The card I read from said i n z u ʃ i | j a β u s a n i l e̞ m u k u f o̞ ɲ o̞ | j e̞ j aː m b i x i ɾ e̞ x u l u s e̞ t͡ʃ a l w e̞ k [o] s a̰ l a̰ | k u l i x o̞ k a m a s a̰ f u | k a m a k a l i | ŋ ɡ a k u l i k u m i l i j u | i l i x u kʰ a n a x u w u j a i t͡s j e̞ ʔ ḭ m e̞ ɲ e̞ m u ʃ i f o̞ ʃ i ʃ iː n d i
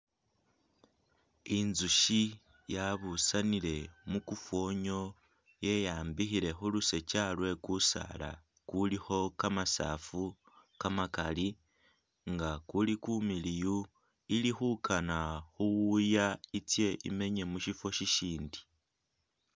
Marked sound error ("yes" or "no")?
yes